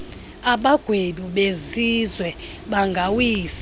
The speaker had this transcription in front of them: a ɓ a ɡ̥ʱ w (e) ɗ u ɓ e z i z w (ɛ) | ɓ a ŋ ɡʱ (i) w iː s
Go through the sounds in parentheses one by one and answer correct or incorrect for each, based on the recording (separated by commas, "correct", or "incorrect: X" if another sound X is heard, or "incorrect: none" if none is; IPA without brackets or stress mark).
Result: correct, correct, incorrect: a